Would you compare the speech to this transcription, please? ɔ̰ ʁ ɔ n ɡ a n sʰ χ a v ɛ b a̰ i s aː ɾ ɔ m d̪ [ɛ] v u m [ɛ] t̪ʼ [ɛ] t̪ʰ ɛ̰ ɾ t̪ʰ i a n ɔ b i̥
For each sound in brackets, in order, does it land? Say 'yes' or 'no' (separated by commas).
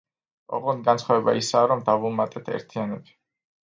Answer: no, no, yes